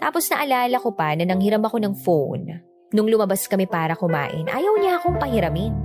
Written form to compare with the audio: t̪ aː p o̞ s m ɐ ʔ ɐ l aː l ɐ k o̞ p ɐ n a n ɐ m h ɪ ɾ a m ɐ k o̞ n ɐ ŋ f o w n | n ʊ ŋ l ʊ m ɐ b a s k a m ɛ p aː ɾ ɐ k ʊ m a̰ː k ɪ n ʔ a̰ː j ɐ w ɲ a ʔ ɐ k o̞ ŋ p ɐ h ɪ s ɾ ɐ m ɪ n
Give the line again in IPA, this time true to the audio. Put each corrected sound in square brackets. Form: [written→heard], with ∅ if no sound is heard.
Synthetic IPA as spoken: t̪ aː p o̞ s [m→n] ɐ ʔ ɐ l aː l ɐ k o̞ p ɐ n [a→ɐ] n ɐ [m→ŋ] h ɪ ɾ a m ɐ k o̞ n ɐ ŋ f o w n | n ʊ ŋ l ʊ m ɐ b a s k [a→ɐ] m ɛ p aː ɾ ɐ k ʊ m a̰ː [k→ʔ] ɪ n ʔ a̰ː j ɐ w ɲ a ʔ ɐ k o̞ ŋ p ɐ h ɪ [s→∅] ɾ ɐ m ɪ n